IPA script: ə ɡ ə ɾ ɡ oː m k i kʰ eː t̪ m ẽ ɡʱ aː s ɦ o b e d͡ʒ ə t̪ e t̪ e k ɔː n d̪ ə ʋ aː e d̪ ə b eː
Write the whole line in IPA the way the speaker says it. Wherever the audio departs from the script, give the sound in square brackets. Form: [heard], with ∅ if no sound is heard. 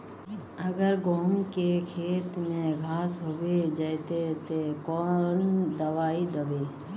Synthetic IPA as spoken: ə ɡ ə ɾ ɡ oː m k [e] kʰ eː t̪ m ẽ ɡʱ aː s ɦ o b e d͡ʒ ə t̪ e t̪ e k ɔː n d̪ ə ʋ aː [i] d̪ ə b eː